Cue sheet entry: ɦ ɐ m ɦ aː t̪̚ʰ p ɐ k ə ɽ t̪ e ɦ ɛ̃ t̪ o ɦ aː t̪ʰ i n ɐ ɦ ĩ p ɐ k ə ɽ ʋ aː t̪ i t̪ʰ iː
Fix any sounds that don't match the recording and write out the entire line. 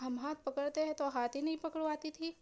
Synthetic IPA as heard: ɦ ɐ m ɦ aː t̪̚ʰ p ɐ k ə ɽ t̪ e ɦ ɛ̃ t̪ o ɦ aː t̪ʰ i n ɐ ɦ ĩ p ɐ k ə ɽ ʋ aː t̪ i t̪ʰ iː